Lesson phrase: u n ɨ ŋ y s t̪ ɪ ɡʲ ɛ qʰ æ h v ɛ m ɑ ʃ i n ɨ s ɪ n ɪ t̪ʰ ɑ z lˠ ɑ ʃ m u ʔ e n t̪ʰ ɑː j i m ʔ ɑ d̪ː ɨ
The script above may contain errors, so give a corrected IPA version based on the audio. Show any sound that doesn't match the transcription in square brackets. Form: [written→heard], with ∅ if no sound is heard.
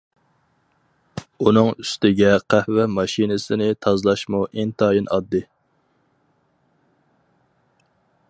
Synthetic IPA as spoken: u n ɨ ŋ y s t̪ ɪ ɡʲ ɛ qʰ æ h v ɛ m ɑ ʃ i n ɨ s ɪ n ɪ t̪ʰ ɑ z lˠ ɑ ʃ m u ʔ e n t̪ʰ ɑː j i [m→n] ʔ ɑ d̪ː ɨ